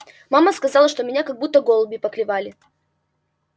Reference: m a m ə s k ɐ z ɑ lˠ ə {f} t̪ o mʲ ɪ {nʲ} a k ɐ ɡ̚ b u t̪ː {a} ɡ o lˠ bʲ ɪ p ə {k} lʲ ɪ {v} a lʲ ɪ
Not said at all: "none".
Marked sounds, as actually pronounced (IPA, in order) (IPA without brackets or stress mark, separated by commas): ʂ, nʲ, ə, k, v